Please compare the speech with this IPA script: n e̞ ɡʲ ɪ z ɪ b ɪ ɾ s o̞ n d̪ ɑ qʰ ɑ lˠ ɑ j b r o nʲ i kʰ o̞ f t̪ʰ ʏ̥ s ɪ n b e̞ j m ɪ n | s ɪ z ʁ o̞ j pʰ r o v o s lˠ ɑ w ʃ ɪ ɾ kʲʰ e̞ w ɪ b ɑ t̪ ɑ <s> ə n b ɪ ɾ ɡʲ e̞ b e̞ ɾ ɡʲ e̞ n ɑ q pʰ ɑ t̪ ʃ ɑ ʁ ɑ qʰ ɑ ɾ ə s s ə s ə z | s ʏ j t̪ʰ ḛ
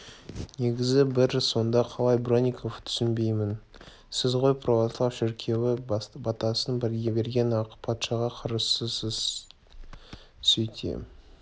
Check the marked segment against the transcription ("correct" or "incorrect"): correct